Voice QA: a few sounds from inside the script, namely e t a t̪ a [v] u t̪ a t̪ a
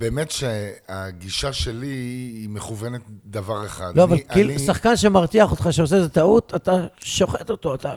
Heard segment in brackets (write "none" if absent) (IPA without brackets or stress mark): none